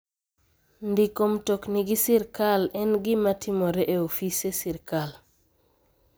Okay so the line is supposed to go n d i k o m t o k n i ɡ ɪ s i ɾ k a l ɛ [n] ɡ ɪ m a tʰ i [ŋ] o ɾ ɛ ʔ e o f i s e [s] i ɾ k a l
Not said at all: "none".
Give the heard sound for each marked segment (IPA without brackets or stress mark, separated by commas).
n, m, s